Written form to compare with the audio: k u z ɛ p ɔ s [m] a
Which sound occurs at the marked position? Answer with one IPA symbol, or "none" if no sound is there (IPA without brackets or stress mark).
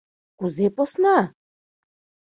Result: n